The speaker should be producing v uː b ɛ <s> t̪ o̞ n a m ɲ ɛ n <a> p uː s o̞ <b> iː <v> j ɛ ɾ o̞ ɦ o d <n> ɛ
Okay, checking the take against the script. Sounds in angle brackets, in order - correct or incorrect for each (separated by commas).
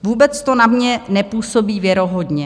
incorrect, incorrect, correct, correct, incorrect